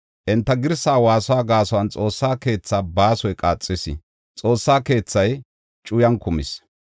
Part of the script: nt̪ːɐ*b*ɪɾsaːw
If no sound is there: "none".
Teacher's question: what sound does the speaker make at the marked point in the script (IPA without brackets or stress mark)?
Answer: ɡ